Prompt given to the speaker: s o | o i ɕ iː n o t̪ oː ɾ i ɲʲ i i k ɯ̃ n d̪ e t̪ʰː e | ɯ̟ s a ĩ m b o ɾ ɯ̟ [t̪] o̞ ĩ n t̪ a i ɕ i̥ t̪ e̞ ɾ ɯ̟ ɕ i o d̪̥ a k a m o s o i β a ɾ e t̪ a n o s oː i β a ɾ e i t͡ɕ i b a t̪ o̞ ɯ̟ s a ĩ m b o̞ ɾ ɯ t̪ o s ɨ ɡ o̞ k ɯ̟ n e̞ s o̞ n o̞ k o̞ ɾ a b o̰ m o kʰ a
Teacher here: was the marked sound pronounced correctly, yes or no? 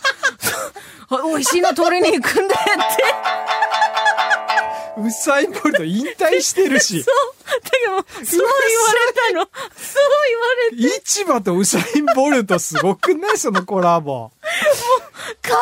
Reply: yes